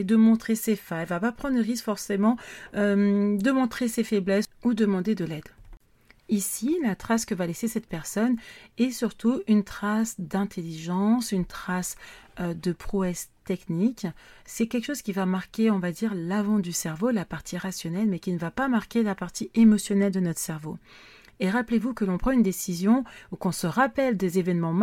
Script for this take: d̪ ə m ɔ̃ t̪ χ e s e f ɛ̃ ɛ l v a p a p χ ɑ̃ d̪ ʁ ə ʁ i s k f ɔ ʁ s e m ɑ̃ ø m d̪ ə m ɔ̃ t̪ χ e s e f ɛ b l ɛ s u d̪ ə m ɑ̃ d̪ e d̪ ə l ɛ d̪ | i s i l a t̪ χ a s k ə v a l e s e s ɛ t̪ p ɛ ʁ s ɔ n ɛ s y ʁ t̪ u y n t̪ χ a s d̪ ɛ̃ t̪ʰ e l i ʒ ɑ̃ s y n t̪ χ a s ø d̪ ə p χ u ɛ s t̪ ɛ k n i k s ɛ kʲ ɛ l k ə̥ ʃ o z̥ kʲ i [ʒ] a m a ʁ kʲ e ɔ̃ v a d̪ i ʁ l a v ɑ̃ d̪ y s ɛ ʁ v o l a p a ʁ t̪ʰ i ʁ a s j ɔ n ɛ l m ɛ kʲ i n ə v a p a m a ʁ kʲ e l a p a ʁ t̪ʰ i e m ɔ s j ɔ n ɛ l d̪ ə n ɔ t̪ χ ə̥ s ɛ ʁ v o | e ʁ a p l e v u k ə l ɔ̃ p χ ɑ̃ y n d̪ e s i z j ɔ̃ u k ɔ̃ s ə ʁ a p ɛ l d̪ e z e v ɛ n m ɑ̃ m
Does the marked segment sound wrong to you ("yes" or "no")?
yes